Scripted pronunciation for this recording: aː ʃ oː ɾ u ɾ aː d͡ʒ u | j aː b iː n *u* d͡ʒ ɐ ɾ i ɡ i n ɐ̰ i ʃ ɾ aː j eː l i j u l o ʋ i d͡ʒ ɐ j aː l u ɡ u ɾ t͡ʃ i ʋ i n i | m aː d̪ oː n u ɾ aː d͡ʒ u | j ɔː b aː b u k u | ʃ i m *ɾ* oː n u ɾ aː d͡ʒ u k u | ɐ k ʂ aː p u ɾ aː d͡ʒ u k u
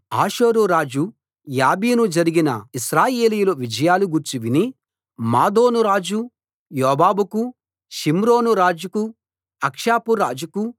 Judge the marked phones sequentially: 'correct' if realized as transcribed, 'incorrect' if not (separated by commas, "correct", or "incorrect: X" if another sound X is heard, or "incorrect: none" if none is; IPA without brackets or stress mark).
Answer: correct, correct